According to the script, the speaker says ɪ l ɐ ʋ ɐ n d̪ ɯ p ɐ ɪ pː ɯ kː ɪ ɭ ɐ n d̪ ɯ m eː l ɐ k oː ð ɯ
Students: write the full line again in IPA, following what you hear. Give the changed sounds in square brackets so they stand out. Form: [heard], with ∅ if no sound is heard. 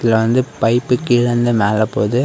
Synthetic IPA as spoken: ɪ l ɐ ʋ ɐ n d̪ ɯ p ɐ ɪ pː ɯ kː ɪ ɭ ɐ n d̪ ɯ m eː l ɐ [p] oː ð ɯ